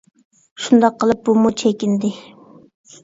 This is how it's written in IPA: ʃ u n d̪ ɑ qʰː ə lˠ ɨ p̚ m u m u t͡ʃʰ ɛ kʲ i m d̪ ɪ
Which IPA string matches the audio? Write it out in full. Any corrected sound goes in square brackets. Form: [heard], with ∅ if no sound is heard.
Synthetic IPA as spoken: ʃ u n d̪ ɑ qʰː ə lˠ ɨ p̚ [b] u m u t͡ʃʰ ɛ kʲ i [n] d̪ ɪ